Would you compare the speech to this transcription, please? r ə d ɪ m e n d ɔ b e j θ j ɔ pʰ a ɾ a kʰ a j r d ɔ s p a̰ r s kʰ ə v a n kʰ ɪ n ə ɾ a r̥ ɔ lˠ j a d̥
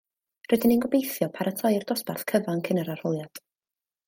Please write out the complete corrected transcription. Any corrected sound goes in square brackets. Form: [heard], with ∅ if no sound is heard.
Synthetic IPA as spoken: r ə d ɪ [n] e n [ɡ] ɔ b e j θ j ɔ pʰ a ɾ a [tʰ] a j r d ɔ s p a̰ r [θ] kʰ ə v a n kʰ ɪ n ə ɾ a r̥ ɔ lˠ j a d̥

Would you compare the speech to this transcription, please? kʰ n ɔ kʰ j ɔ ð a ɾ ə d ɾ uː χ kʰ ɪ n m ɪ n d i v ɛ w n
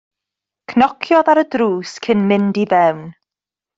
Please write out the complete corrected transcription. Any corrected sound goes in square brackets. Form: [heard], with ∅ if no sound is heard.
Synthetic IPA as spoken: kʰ n ɔ kʰ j ɔ ð a ɾ ə d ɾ uː [s] kʰ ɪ n m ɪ n d i v ɛ w n

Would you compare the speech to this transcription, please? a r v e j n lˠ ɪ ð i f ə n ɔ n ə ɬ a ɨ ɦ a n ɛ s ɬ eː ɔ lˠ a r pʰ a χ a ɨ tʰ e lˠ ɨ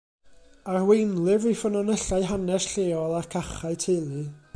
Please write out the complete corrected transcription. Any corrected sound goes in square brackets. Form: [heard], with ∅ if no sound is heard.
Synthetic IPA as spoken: a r [w] e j n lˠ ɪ [v] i f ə n ɔ n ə ɬ a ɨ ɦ a n ɛ s ɬ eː ɔ lˠ a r [kʰ] a χ a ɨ tʰ e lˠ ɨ

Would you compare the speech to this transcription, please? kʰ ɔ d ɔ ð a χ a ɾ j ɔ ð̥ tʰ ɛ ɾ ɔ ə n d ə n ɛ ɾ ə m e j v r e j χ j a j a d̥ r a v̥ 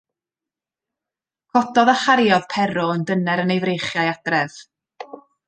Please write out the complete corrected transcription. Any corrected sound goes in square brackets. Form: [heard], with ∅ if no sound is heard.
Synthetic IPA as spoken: kʰ ɔ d ɔ ð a χ a ɾ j ɔ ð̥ [pʰ] ɛ ɾ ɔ ə n d ə n ɛ ɾ ə [n] e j v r e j χ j a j a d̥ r [ɛ] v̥

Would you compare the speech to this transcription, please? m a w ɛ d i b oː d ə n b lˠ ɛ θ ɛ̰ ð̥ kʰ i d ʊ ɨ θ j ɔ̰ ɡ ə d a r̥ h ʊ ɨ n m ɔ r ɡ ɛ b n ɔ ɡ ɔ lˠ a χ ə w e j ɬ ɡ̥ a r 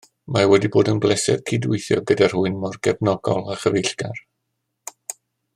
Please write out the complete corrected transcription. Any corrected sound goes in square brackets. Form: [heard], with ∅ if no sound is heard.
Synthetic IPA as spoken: m a w ɛ d i b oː d ə n b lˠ ɛ [s] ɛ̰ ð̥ kʰ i d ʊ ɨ θ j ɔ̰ ɡ ə d a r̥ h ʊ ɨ n m ɔ r ɡ ɛ b n ɔ ɡ ɔ lˠ a χ ə [v] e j ɬ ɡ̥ a r

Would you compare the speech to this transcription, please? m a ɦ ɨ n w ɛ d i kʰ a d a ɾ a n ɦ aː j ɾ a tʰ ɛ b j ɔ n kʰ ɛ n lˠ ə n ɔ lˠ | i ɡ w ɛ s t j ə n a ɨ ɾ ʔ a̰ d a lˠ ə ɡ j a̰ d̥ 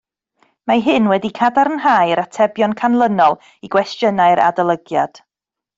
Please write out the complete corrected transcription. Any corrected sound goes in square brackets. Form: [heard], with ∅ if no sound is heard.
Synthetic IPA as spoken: m a ɦ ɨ n w ɛ d i kʰ a d a ɾ [ə] n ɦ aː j ɾ a tʰ ɛ b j ɔ n kʰ [a] n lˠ ə n ɔ lˠ | i ɡ w ɛ s t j ə n a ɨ ɾ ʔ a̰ d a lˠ ə ɡ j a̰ d̥

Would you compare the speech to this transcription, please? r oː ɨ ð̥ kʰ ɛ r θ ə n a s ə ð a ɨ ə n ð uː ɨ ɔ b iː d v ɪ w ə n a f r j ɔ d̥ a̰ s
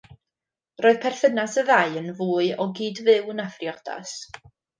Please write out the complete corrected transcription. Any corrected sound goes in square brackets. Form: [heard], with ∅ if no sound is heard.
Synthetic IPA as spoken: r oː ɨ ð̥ [pʰ] ɛ r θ ə n a s ə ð a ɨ ə n [v] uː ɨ ɔ [ɡ] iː d v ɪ w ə n a f r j ɔ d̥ a̰ s

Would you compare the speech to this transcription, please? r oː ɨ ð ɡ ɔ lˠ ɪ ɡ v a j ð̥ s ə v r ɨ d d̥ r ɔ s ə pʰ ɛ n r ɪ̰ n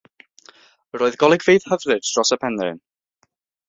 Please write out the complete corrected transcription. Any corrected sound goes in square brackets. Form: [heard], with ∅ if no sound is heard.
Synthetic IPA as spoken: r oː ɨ ð ɡ ɔ lˠ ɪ ɡ v [e] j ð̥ [h] ə v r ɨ d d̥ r ɔ s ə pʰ ɛ n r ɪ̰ n

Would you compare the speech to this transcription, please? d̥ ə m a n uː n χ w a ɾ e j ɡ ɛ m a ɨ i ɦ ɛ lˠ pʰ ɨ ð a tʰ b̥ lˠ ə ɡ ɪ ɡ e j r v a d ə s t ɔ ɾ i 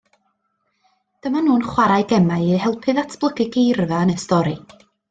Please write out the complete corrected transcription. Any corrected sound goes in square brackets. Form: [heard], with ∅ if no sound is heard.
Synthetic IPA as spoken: d̥ ə m a n uː n χ w a ɾ [a] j ɡ ɛ m a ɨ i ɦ ɛ lˠ pʰ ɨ ð a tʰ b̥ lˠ ə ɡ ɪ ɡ e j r v a [n] ə s t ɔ ɾ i

